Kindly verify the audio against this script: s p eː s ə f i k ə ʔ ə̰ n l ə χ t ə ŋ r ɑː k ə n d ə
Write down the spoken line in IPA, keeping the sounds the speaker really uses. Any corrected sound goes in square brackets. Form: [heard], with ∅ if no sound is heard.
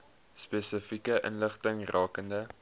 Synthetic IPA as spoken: s p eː s ə f i k ə ʔ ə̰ n l ə χ t ə ŋ r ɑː k ə n d ə